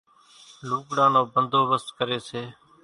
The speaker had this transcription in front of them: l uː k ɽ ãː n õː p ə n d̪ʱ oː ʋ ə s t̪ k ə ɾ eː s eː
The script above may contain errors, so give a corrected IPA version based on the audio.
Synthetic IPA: l uː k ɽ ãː n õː b ə n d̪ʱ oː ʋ ə s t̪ k ə ɾ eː s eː

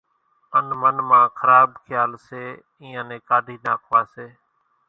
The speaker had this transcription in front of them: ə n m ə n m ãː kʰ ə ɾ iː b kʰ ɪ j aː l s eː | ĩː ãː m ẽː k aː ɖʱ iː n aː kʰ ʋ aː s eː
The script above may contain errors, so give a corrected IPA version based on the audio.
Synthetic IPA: ə n m ə n m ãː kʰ ə ɾ aː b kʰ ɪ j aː l s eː | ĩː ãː n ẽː k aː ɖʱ iː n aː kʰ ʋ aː s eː

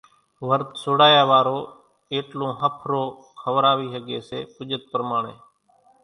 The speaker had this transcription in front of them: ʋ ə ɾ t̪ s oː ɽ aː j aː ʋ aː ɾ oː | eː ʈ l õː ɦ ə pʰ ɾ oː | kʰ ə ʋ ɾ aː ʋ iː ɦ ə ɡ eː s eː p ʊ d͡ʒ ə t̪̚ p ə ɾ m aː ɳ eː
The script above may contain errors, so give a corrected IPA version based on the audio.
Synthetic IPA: ʋ ə ɾ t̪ s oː ɽ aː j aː ʋ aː ɾ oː | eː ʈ l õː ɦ ə pʰ ɾ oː | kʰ ə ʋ ɾ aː ʋ iː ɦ ə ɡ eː s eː p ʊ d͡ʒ ə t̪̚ p ə ɾ m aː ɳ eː

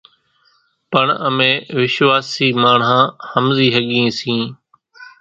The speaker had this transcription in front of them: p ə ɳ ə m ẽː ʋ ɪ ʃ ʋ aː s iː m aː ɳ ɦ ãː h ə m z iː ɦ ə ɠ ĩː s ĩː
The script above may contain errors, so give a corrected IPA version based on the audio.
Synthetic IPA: p ə ɳ ə m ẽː ʋ ɪ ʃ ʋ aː s iː m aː ɳ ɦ ãː h ə m z iː ɦ ə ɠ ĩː s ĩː

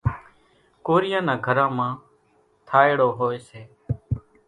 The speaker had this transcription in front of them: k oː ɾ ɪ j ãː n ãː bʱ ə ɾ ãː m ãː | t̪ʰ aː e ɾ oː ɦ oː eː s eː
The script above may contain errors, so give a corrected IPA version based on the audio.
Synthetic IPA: k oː ɾ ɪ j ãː n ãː ɡʱ ə ɾ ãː m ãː | t̪ʰ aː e ɽ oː ɦ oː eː s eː

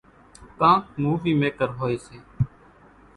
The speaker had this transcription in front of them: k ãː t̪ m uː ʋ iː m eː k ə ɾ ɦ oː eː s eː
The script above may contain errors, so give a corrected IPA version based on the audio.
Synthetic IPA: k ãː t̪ m uː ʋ iː m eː k ə ɾ ɦ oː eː s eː

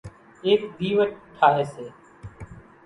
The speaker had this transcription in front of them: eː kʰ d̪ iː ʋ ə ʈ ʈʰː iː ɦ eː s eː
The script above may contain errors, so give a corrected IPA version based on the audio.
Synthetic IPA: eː k d̪ iː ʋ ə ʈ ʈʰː aː ɦ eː s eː

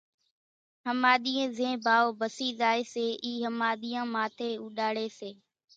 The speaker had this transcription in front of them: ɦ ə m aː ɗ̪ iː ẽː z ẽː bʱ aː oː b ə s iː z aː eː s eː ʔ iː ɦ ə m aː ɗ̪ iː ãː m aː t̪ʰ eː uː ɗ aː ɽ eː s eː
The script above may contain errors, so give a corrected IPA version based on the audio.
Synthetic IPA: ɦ ə m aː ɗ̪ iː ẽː z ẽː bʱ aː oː b ə s iː z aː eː s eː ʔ iː ɦ ə m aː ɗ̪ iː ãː m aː t̪ʰ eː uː ɗ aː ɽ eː s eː

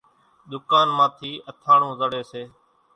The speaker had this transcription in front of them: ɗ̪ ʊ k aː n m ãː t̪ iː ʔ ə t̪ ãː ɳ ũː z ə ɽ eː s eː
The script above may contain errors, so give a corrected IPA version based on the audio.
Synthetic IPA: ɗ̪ ʊ k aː n m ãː t̪ʰ iː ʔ ə t̪ʰ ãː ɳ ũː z ə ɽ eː s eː

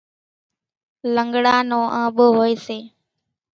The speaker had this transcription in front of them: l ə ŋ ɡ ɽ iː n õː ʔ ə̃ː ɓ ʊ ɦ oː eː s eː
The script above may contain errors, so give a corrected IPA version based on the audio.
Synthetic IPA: l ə ŋ ɡ ɽ aː n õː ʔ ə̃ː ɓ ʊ ɦ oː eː s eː

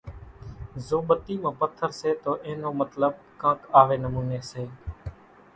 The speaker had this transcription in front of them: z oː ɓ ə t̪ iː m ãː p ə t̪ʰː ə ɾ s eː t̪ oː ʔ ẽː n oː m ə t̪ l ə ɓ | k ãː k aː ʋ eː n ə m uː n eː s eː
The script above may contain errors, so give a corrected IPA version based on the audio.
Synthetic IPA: z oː ɓ ə t̪ iː m ãː p ə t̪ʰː ə ɾ s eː t̪ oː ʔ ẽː n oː m ə t̪ l ə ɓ | k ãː k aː ʋ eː n ə m uː n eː s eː

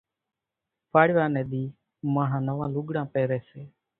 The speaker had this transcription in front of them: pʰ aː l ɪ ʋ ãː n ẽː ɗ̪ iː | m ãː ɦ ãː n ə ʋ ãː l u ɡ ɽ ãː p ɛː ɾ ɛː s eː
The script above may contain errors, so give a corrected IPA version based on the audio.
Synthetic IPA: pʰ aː ɽ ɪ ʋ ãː n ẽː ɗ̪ iː | m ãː ɦ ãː n ə ʋ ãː l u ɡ ɽ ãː p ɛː ɾ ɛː s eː

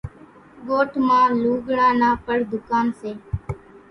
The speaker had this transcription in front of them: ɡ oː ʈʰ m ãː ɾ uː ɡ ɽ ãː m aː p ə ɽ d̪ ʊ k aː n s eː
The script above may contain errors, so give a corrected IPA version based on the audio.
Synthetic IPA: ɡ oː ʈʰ m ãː l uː ɡ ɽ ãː n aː p ə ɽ d̪ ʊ k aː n s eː

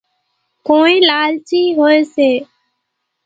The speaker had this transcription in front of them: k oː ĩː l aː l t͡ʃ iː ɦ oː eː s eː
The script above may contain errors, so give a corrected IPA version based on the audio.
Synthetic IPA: k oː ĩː l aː l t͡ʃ iː ɦ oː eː s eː

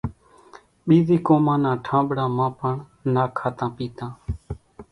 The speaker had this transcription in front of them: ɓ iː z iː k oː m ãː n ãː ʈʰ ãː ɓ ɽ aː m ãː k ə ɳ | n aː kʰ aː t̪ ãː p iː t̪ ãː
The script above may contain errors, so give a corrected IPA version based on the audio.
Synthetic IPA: ɓ iː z iː k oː m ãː n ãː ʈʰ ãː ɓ ɽ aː m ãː p ə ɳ | n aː kʰ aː t̪ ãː p iː t̪ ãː

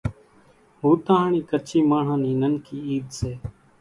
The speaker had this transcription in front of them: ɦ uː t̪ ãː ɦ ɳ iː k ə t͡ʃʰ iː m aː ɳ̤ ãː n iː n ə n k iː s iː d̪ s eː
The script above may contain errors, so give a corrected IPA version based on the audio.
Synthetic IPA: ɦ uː t̪ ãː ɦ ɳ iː k ə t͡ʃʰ iː m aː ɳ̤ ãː n iː n ə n k iː iː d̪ s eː

